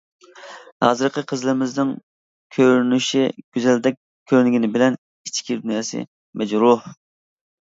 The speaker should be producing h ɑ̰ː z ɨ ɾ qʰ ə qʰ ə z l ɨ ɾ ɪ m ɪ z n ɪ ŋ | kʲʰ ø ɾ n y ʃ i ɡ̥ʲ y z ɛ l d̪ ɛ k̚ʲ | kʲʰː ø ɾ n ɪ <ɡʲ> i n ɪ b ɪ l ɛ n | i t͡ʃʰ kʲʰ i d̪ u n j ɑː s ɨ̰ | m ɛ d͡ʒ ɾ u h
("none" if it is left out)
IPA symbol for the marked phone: ɡʲ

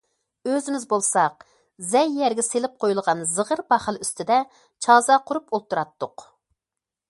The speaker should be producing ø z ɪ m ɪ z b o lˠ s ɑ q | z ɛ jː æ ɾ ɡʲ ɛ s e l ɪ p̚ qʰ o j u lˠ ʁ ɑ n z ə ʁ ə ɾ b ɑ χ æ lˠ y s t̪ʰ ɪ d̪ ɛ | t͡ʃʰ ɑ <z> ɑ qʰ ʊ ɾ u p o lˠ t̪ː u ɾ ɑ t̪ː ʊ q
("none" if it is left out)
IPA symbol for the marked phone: z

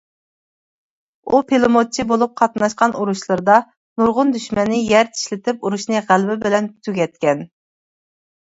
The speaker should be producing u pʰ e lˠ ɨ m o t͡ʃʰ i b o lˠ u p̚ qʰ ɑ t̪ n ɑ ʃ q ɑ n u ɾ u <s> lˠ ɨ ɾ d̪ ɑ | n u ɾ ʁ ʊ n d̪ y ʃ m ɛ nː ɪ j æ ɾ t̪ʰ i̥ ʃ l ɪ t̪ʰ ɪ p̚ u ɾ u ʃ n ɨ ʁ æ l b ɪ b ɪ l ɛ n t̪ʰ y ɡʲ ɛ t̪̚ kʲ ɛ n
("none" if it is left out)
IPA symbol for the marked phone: ʃ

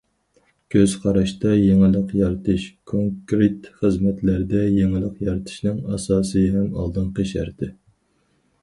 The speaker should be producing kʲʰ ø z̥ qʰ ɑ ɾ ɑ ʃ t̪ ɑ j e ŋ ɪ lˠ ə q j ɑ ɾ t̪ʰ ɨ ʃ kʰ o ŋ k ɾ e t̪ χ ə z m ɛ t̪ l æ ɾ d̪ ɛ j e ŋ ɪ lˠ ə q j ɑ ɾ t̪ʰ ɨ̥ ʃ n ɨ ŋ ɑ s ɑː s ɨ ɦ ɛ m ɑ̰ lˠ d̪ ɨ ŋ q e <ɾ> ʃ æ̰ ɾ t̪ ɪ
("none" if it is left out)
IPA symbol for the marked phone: none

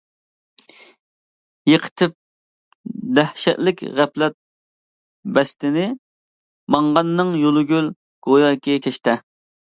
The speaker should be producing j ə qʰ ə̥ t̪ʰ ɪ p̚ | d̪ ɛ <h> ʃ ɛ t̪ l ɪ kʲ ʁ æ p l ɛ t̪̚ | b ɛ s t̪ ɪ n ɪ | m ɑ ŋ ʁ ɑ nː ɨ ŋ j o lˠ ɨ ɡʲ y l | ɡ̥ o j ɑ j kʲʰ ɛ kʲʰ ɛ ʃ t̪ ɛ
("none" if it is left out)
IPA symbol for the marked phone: h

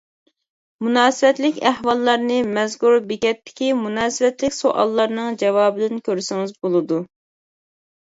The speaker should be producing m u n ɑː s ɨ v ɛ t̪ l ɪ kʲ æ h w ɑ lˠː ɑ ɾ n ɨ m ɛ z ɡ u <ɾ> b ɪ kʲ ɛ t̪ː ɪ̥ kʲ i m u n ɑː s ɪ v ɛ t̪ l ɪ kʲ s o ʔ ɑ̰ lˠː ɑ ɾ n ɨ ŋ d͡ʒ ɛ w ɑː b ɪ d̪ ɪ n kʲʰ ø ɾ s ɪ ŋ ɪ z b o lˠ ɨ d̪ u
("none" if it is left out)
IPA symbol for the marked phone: ɾ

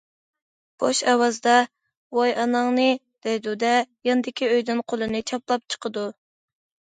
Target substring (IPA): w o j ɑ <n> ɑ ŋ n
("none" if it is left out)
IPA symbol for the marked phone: n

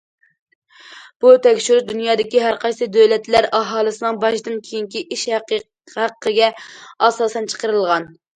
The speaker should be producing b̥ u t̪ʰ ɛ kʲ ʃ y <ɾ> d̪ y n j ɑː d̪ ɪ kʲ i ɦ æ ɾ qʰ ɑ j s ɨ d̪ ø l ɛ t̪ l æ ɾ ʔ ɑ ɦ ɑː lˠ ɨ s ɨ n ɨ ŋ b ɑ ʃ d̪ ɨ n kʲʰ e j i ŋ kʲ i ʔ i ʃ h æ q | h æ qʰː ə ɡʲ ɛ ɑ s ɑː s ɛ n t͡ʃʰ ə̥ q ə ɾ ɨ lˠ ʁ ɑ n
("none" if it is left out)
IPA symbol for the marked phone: ɾ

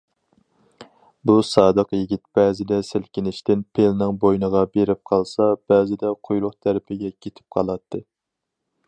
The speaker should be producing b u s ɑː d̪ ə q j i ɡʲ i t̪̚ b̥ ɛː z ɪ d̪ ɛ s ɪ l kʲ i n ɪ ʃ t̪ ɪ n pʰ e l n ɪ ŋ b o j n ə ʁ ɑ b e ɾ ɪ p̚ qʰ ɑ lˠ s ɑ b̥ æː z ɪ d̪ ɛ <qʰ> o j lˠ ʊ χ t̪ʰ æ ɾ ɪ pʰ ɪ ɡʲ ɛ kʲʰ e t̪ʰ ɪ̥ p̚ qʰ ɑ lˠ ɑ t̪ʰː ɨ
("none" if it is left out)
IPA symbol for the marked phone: qʰ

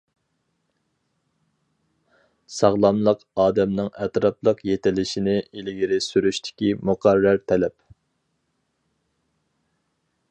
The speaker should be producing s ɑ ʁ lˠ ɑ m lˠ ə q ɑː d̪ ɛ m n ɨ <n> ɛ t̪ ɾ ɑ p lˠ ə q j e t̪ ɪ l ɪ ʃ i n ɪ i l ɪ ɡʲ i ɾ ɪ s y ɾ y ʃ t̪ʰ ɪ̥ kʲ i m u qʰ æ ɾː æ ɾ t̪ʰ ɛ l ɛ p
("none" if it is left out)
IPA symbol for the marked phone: ŋ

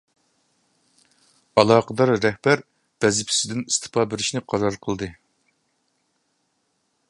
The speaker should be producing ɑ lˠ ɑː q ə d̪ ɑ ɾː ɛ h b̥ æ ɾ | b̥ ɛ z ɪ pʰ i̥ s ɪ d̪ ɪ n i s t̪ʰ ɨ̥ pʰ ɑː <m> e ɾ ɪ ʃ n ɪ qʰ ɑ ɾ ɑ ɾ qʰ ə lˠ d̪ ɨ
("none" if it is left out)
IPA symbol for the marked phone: b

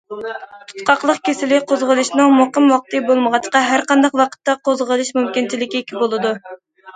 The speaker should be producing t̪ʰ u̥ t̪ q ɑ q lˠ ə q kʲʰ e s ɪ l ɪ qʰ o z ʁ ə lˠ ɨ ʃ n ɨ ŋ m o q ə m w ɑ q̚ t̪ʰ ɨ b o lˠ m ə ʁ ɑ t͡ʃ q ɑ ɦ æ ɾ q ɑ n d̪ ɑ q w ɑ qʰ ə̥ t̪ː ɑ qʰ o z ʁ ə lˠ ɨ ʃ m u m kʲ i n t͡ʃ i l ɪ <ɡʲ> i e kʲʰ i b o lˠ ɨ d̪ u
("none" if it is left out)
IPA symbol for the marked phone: kʲ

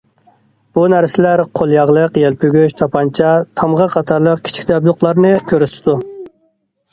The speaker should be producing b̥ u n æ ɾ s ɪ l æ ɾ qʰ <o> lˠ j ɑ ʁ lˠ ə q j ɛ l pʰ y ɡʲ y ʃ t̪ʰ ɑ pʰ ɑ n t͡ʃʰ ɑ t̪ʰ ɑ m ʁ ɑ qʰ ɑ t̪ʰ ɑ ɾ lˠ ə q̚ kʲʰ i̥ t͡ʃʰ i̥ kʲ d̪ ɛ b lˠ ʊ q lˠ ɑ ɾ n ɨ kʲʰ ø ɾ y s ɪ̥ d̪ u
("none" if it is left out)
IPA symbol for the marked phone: o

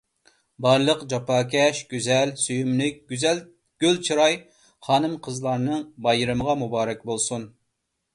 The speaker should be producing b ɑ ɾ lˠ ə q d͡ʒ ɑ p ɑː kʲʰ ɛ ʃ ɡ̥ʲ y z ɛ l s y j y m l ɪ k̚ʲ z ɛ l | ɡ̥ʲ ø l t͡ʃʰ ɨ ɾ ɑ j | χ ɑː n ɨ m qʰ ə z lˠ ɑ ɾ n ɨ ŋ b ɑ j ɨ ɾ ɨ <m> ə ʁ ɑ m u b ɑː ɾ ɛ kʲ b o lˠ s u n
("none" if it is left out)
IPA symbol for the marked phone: m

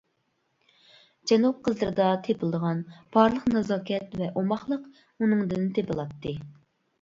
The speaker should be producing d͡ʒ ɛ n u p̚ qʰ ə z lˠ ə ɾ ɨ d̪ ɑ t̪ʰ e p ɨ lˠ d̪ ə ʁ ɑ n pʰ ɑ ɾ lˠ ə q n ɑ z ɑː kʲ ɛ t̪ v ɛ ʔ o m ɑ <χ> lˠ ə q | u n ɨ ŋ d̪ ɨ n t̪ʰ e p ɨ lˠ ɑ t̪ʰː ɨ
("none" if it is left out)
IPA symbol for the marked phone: χ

